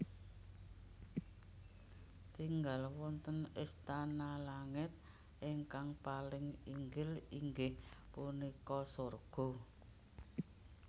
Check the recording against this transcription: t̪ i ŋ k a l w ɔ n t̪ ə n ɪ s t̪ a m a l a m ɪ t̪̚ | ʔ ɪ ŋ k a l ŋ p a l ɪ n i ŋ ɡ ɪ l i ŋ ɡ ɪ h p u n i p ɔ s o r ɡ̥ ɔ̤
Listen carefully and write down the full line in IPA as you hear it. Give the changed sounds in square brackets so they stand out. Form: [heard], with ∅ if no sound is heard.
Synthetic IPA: t̪ i ŋ [ɡ] a l w ɔ n t̪ ə n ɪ s t̪ a [n] a l a [ŋ] ɪ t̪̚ | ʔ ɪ ŋ k a [∅] ŋ p a l ɪ [ŋ] i ŋ ɡ ɪ l i ŋ ɡ ɪ h p u n i [k] ɔ s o r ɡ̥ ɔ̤